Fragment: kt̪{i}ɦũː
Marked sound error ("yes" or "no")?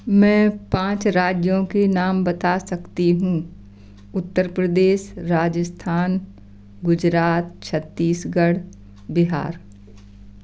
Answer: no